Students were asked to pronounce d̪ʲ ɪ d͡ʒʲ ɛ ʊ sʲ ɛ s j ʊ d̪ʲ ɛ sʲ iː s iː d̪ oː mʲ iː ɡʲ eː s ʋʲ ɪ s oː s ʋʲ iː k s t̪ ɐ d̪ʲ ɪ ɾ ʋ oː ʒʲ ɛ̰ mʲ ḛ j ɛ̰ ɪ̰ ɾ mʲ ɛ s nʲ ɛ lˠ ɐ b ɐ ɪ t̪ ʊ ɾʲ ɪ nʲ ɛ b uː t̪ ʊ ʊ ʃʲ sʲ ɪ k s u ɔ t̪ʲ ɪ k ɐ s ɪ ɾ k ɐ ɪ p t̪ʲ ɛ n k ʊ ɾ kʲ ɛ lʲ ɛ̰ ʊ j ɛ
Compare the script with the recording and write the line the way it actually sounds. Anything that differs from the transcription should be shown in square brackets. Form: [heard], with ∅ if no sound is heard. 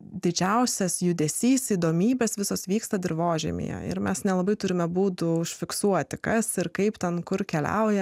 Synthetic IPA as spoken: d̪ʲ ɪ d͡ʒʲ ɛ ʊ sʲ ɛ s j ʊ d̪ʲ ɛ sʲ iː s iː d̪ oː mʲ iː [bʲ] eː s ʋʲ ɪ s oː s ʋʲ iː k s t̪ ɐ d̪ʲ ɪ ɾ ʋ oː ʒʲ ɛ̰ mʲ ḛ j ɛ̰ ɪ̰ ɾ mʲ ɛ s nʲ ɛ lˠ ɐ b ɐ ɪ t̪ ʊ ɾʲ ɪ [mʲ] ɛ b uː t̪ ʊ ʊ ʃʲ [fʲ] ɪ k s u ɔ t̪ʲ ɪ k ɐ s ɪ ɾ k ɐ ɪ p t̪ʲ ɛ n k ʊ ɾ kʲ ɛ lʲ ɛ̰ ʊ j ɛ